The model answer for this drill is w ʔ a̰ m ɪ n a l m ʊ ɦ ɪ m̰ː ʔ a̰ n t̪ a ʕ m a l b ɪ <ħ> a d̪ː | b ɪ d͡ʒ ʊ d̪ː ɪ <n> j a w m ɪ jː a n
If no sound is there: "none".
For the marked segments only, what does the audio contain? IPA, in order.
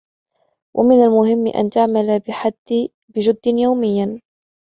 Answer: ħ, n

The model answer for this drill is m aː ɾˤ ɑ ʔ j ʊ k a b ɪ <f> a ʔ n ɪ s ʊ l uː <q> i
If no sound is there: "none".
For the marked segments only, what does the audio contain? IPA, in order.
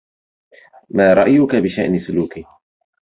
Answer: ʃ, k

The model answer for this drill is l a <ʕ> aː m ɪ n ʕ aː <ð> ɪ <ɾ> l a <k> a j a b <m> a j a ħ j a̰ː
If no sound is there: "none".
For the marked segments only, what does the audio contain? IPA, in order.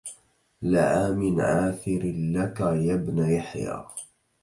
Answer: ʕ, θ, ɾ, k, n

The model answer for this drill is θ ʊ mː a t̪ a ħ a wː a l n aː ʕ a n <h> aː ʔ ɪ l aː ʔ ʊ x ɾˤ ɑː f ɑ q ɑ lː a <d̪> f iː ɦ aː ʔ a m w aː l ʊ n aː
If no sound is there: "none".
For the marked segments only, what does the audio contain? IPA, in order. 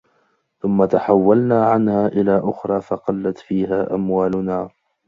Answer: h, t̪

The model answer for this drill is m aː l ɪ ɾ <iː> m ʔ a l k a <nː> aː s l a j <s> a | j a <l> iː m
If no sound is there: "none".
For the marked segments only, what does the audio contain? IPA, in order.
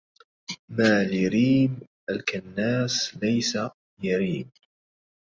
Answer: iː, nː, s, ɾ

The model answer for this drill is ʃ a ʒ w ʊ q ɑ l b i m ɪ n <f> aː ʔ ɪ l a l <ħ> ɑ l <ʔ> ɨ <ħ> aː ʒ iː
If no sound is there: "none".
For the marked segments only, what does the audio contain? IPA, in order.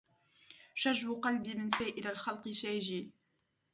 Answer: s, x, q, ʃ

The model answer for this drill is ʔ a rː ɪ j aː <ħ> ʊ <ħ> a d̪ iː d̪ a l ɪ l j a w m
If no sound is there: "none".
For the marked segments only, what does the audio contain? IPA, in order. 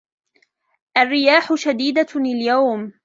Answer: ħ, ʃ

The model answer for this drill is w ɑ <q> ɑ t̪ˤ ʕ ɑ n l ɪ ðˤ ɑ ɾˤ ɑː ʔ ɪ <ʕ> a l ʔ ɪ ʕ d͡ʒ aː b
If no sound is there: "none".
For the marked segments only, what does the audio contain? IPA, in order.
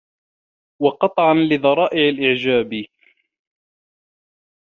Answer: q, ʕ

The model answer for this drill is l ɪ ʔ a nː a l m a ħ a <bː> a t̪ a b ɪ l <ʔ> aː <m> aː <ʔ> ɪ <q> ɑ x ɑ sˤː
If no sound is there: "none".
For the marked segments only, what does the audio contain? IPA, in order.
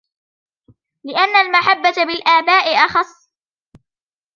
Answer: bː, ʔ, b, ʔ, ʔ

